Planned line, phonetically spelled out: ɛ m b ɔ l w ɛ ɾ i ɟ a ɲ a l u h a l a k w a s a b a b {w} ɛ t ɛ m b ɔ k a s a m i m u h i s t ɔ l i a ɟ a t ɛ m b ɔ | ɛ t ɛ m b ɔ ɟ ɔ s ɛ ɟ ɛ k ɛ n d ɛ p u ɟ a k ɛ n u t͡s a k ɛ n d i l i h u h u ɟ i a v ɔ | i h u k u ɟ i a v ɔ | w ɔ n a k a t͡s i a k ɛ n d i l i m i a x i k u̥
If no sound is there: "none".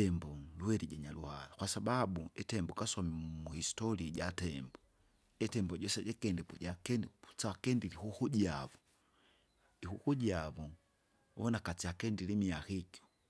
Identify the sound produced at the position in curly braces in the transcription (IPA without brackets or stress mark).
u